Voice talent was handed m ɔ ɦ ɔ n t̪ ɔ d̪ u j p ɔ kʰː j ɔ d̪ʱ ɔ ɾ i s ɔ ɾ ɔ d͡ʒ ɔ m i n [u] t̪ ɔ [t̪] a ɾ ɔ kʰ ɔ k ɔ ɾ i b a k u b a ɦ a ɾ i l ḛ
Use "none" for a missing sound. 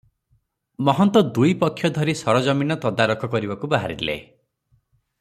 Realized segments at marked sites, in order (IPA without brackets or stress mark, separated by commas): ɔ, d̪